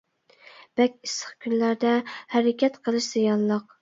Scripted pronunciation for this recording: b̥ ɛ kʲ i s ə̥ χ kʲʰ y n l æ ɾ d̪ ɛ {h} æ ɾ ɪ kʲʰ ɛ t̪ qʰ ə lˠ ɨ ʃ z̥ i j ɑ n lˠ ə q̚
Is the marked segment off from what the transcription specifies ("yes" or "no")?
no